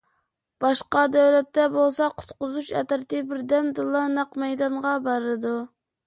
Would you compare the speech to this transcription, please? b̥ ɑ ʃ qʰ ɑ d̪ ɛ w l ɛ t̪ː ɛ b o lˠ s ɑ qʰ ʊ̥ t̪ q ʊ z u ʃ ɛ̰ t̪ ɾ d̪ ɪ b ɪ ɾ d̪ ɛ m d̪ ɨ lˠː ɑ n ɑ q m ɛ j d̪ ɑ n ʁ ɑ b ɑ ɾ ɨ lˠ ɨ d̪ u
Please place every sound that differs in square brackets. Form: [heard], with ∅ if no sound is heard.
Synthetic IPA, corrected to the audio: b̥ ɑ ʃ [q] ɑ d̪ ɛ w l ɛ t̪ː ɛ b o lˠ s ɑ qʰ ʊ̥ t̪ q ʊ z u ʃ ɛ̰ t̪ ɾ [t̪] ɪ b ɪ ɾ d̪ ɛ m d̪ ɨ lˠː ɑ n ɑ q m ɛ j d̪ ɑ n ʁ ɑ b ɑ ɾ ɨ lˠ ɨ d̪ u